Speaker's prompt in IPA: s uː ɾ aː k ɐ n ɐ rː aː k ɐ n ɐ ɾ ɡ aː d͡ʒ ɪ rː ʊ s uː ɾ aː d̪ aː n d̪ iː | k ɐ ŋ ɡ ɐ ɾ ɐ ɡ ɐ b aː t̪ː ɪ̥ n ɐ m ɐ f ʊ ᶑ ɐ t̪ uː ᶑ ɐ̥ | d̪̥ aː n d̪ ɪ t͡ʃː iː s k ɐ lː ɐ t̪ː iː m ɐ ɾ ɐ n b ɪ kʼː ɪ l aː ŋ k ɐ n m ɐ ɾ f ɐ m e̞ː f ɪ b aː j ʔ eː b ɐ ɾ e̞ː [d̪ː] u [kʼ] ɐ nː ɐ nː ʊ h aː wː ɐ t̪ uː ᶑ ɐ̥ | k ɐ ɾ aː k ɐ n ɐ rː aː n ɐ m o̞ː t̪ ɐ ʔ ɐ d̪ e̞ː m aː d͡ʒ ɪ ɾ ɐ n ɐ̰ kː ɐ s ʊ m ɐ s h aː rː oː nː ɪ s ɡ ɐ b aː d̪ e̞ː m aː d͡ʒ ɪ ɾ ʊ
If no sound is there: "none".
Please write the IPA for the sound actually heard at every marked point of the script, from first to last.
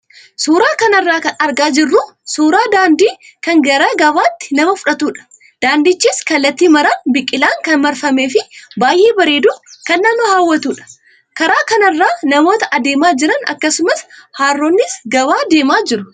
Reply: d̪, k

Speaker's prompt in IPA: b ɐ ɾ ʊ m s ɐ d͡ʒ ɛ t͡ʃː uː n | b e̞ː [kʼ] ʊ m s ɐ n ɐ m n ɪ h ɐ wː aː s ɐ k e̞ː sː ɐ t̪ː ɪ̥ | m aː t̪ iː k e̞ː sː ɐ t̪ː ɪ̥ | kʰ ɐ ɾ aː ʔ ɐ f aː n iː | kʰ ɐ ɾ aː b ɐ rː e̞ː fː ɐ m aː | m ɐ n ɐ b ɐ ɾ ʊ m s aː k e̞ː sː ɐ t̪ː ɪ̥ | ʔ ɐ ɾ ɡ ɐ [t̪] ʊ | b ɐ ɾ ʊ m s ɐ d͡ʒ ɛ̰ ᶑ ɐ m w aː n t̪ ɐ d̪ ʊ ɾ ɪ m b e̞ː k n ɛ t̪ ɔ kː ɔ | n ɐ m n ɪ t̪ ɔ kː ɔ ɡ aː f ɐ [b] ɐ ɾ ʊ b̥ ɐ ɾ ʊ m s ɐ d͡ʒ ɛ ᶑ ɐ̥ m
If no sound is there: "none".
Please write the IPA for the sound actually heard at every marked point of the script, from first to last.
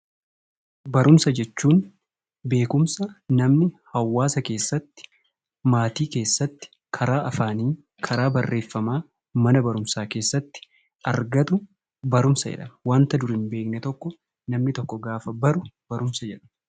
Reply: k, t̪, b

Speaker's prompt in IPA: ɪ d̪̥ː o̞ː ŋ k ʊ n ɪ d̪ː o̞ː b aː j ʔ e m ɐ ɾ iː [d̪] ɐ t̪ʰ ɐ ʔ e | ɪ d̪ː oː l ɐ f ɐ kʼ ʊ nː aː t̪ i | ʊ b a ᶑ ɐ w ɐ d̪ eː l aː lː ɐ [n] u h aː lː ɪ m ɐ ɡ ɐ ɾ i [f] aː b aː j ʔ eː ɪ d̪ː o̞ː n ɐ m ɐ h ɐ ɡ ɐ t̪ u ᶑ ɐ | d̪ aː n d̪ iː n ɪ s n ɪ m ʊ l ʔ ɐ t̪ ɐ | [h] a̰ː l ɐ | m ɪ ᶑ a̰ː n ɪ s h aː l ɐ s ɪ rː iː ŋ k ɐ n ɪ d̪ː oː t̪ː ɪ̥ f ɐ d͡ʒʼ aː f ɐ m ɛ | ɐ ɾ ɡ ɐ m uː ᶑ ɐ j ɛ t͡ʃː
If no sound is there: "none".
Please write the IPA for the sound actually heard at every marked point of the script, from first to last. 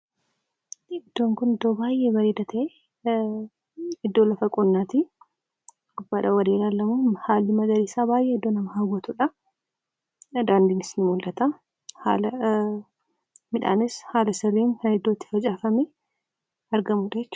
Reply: d̪, m, s, h

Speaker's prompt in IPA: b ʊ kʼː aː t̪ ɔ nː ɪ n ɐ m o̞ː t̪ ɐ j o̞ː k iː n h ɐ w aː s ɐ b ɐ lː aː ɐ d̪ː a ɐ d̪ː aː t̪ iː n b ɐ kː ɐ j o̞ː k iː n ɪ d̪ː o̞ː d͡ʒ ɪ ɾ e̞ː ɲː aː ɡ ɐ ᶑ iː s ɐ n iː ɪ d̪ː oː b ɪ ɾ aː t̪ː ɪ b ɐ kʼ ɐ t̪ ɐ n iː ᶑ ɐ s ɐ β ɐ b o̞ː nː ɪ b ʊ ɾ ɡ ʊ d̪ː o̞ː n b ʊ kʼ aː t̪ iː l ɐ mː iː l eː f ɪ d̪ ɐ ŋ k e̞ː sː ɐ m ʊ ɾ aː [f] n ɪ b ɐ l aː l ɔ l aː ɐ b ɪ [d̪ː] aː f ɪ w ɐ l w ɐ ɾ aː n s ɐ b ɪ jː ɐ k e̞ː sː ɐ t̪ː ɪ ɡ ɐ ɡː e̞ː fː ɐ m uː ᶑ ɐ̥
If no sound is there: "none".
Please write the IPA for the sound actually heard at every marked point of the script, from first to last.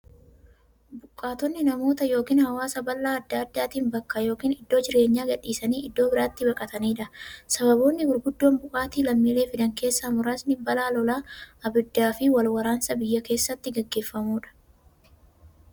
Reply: s, d̪ː

